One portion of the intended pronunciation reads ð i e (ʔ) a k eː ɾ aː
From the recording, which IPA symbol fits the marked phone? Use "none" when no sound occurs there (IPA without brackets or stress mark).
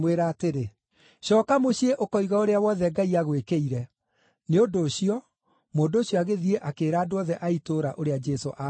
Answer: ʔ